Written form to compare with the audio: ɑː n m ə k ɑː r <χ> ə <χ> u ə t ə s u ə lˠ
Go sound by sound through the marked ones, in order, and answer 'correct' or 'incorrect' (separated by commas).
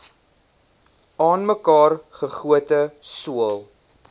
correct, correct